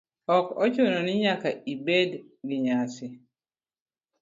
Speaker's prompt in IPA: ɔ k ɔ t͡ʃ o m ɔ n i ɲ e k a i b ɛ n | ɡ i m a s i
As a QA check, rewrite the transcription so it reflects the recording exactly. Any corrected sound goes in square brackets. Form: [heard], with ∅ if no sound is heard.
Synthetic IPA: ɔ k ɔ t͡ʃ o [n] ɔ n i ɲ [a] k a i b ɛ [d] | ɡ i [ɲ] a s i